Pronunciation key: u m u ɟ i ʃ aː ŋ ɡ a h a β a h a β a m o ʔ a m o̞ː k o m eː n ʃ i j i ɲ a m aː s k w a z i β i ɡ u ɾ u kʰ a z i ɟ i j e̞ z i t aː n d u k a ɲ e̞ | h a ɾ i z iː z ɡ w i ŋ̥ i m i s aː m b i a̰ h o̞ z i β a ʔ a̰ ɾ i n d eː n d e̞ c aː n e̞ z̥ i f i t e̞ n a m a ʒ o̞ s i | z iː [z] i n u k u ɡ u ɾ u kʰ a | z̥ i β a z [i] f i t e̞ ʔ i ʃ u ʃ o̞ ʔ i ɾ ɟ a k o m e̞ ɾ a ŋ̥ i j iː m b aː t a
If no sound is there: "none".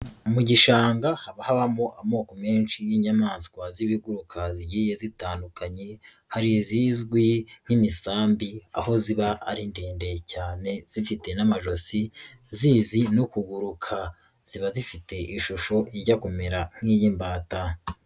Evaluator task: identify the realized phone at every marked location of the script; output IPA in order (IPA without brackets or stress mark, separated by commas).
z, i